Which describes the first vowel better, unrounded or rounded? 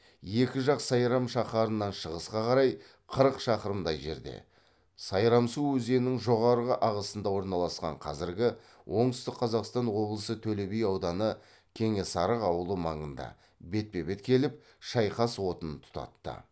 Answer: unrounded